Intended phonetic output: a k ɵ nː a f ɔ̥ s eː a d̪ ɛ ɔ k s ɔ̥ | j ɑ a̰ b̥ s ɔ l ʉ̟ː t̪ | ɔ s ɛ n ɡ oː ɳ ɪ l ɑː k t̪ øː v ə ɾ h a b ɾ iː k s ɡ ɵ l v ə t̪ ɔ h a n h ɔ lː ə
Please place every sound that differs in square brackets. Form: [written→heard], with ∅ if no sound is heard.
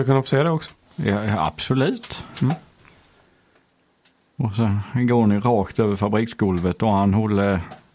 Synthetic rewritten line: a k ɵ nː a f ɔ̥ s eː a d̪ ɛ ɔ k s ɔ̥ | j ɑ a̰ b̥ s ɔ l ʉ̟ː t̪ | ɔ s ɛ n ɡ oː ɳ ɪ [l→ɾ] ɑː k t̪ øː v ə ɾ [h→f] a b ɾ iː k s ɡ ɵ l v ə t̪ ɔ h a n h ɔ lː ə